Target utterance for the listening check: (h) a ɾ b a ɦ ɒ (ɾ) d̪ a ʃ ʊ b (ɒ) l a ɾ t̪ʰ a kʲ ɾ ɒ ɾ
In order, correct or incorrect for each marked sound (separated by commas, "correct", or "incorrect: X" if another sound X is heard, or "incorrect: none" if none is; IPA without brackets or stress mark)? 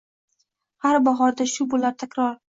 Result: correct, correct, incorrect: o